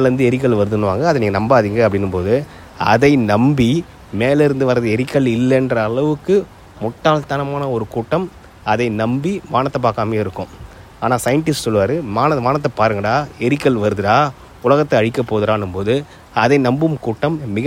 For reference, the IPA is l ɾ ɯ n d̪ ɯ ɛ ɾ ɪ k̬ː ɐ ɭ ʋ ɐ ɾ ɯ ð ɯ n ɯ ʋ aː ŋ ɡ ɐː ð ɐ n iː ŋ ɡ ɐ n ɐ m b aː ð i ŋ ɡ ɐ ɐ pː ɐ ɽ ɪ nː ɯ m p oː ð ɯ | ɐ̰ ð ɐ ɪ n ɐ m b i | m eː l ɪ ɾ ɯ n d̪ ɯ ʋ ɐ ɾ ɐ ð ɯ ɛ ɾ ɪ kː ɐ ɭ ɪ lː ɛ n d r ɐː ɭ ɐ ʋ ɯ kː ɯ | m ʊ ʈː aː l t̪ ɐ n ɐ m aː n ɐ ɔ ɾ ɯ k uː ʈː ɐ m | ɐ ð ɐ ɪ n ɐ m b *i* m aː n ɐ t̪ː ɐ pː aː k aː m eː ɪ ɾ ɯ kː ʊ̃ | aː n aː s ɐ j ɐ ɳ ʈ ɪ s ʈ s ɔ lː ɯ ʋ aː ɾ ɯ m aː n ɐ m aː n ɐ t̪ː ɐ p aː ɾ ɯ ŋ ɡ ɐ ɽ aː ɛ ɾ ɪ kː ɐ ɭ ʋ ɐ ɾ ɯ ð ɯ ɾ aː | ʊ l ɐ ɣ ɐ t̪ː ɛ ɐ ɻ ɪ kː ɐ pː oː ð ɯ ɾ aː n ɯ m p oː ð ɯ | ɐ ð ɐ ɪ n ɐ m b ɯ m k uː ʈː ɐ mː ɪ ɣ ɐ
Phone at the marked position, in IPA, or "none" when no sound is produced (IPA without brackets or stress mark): i